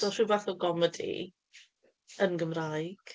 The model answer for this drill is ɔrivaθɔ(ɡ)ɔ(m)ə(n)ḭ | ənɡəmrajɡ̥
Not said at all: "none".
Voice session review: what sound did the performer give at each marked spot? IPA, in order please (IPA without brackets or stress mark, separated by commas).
ɡ, m, d